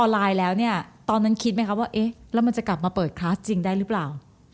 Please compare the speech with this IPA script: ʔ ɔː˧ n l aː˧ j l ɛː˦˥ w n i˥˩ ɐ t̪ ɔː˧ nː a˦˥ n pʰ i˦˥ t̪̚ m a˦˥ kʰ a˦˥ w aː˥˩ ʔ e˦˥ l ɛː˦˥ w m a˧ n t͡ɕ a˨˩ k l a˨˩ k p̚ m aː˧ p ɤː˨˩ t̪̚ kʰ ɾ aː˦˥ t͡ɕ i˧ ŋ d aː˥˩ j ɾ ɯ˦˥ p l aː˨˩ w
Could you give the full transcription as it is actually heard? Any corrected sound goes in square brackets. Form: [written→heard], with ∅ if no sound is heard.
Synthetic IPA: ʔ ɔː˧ n l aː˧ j l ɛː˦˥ w n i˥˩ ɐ t̪ ɔː˧ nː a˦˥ n [pʰ→kʰ] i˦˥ t̪̚ m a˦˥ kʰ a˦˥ w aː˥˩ ʔ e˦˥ l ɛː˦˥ w m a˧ n t͡ɕ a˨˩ k l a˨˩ [k→∅] p̚ m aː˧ p ɤː˨˩ t̪̚ kʰ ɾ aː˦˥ t͡ɕ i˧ ŋ d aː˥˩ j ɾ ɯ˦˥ p l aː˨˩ w